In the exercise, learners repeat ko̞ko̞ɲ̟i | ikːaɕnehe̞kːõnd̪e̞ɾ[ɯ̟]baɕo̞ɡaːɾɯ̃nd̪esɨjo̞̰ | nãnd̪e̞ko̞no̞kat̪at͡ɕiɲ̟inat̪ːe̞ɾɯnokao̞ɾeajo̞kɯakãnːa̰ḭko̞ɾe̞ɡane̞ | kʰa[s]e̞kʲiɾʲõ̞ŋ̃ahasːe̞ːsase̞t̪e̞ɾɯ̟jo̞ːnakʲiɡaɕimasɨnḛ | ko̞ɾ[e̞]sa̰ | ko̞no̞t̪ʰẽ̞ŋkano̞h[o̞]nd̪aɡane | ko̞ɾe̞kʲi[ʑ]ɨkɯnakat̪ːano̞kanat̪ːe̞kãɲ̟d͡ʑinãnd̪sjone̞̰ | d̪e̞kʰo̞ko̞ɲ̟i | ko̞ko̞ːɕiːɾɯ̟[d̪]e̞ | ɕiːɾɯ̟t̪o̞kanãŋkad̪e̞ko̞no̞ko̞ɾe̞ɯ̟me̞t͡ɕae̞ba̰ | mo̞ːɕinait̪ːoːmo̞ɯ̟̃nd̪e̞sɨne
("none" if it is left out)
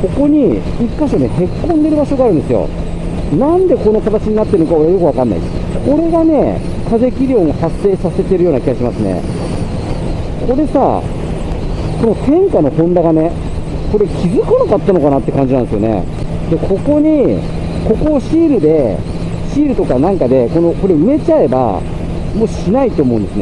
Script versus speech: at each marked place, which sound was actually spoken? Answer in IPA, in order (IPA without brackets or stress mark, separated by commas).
ɯ̟, z, e̞, õ̞, z, d̪